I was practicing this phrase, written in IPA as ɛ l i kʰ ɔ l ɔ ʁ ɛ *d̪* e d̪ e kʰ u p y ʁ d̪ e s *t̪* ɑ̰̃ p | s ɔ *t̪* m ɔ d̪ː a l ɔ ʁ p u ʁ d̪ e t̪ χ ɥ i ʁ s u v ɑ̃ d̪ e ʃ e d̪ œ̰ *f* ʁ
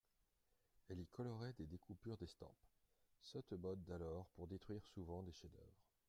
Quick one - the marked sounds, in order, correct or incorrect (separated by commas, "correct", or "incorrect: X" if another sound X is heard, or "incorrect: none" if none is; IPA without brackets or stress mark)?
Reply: correct, correct, correct, incorrect: v